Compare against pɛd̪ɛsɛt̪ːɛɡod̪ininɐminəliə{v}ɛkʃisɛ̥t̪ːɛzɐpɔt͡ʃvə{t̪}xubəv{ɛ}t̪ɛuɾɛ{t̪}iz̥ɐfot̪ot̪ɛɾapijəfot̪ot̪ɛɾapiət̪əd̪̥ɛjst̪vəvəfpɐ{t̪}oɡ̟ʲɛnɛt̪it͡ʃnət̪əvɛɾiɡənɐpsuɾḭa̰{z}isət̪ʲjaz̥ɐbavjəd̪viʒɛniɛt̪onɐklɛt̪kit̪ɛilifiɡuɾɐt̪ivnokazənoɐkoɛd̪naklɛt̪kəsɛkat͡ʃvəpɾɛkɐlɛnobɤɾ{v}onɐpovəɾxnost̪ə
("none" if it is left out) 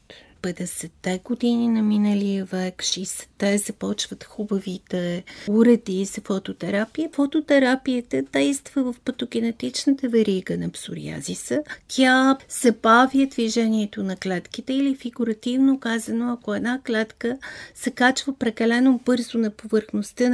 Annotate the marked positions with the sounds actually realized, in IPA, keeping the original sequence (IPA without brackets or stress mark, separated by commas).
v, t̪, i, d̪, t̪, z, z